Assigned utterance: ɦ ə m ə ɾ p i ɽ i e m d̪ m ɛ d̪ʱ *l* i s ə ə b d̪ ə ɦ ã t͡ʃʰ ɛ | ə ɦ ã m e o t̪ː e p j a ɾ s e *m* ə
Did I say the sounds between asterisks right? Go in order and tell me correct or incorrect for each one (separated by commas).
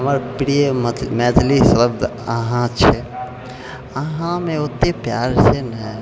correct, incorrect